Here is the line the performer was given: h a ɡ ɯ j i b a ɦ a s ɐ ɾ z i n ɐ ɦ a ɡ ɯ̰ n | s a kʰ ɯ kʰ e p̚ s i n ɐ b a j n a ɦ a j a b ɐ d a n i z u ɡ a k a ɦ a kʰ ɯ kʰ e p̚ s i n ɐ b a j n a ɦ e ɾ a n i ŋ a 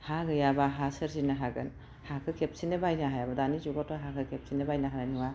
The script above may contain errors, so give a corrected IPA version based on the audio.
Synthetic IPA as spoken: h a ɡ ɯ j a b a ɦ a s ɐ ɾ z i n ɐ ɦ a ɡ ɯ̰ n | h a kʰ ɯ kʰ e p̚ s i n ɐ b a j n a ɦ a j a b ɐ d a n i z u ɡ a t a ɦ a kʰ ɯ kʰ e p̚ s i n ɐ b a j n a ɦ a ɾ a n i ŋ a